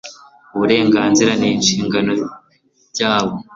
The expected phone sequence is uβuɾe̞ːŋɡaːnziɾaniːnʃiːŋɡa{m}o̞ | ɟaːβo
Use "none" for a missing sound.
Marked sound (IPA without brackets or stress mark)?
n